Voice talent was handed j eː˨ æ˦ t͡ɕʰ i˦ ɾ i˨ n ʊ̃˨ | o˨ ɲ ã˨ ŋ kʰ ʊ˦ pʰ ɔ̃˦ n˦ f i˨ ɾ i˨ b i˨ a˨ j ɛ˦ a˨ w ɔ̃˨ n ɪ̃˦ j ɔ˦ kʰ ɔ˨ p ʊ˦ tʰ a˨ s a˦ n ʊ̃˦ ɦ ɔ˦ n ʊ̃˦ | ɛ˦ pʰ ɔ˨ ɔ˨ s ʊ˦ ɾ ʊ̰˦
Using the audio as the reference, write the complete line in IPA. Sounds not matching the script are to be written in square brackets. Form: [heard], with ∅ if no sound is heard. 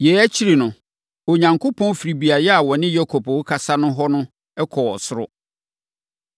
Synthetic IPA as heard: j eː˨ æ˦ t͡ɕʰ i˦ ɾ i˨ n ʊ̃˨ | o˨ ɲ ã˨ ŋ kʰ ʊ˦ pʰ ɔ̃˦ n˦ f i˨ ɾ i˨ b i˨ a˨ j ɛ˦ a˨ w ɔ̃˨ n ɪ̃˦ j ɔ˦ kʰ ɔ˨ p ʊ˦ [kʰ] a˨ s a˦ n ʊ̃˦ ɦ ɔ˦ n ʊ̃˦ | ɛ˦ [kʰ] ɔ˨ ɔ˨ s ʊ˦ ɾ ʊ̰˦

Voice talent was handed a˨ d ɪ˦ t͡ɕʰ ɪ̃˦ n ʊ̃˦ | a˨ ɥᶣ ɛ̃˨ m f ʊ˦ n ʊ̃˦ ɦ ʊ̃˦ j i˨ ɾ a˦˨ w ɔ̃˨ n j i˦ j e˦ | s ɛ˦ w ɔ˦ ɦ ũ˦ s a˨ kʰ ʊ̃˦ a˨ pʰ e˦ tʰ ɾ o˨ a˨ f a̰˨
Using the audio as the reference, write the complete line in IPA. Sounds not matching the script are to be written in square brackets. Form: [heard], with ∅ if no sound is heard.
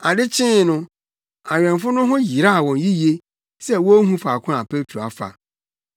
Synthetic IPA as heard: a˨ d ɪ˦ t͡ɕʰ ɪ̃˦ n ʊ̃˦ | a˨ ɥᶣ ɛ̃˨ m f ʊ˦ n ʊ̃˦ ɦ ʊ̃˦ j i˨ ɾ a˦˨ w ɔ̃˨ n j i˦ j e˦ | s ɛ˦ w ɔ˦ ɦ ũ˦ [f] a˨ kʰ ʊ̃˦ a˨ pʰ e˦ tʰ ɾ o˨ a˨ f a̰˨

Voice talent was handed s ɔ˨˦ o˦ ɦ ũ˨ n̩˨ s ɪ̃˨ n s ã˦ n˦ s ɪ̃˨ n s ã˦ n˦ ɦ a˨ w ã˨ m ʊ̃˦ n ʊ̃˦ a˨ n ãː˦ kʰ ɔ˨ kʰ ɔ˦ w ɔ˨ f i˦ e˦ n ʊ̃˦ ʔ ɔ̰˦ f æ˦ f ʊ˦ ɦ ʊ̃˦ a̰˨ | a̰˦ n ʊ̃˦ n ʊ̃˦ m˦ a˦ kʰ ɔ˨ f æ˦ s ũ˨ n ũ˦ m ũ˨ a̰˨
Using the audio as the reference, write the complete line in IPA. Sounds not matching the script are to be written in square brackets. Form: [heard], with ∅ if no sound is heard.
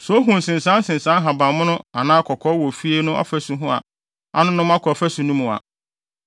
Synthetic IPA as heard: s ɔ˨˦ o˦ ɦ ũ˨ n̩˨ s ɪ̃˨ n s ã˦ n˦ s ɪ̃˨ n s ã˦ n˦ ɦ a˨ [b] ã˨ m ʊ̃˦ n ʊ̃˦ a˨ n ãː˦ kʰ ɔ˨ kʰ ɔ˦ w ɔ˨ f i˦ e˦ n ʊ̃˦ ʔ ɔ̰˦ f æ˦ [s] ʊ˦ ɦ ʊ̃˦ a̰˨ | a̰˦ n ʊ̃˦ n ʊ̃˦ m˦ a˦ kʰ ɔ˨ f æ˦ s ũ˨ n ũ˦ m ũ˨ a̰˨

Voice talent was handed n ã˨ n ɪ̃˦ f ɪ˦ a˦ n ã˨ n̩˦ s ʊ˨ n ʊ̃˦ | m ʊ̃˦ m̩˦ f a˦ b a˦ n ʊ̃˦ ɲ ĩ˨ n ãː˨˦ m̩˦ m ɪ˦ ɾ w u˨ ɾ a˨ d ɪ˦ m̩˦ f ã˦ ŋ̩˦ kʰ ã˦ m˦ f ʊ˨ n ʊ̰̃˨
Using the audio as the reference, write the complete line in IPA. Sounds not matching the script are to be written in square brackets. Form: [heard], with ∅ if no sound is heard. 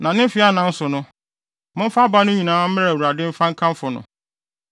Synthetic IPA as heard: n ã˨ n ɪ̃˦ f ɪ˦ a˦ n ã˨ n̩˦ s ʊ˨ n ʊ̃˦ | m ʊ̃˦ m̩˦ f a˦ b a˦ n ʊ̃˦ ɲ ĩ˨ n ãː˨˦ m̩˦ m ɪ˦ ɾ w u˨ ɾ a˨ d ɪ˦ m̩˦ f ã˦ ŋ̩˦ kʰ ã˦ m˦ f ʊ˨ n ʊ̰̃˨

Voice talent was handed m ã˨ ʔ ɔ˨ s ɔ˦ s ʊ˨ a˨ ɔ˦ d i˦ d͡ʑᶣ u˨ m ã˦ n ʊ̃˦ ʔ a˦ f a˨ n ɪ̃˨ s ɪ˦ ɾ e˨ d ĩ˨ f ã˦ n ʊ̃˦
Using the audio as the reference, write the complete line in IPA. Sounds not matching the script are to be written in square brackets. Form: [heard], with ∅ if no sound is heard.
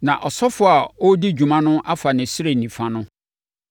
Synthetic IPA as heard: [n] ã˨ ʔ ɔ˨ s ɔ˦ [f] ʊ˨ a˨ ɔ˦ d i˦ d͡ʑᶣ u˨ m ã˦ n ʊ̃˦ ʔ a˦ f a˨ n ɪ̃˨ s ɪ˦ ɾ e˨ [n] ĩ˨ f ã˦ n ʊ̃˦

